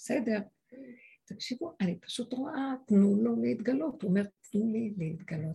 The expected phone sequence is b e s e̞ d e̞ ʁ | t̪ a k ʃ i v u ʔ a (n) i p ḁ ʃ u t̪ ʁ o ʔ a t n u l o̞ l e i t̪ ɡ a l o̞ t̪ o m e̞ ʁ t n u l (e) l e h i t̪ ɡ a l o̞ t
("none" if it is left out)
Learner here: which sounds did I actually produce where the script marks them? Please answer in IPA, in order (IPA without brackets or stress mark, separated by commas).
n, i